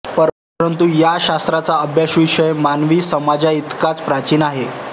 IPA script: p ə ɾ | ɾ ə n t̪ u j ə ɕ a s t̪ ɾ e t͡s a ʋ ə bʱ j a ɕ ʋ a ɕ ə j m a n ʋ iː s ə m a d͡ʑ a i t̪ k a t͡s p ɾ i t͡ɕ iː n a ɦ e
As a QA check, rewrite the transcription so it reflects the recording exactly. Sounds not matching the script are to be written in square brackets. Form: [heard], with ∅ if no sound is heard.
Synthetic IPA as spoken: p ə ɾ | ɾ ə n t̪ u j [a] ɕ a s t̪ ɾ [a] t͡s a [∅] ə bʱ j a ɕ ʋ [i] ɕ ə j m a n ʋ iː s ə m a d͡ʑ a i t̪ k a t͡s p ɾ [a] t͡ɕ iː n a ɦ e